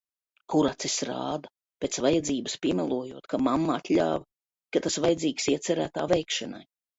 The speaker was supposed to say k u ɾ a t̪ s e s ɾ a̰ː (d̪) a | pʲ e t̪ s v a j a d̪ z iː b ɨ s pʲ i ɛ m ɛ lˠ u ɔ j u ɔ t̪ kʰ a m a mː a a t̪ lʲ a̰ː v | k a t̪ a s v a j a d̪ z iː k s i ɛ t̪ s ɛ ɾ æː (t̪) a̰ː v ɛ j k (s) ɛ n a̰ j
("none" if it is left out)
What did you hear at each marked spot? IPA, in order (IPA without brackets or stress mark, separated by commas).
d̪, t̪, ʃ